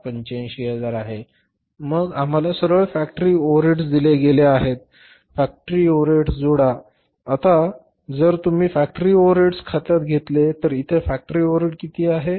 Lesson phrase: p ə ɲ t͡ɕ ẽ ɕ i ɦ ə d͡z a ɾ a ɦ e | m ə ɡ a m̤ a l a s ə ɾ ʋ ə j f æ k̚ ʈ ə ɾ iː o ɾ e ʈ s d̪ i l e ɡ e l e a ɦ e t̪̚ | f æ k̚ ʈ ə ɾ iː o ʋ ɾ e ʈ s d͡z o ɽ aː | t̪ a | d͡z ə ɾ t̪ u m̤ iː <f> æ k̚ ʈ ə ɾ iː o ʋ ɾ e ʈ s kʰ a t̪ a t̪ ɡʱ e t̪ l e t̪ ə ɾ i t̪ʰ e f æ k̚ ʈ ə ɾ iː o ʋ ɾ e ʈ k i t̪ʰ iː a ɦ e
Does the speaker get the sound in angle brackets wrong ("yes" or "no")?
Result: no